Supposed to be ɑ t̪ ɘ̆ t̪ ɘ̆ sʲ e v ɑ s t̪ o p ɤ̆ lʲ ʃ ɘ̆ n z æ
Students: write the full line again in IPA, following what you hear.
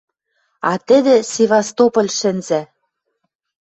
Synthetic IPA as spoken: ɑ t̪ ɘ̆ d̪ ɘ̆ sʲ e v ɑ s t̪ o p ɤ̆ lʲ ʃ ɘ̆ n z æ